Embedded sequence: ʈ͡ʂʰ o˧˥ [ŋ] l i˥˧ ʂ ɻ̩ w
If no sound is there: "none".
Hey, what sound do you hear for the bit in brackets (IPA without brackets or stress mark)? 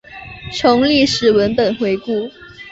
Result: ŋ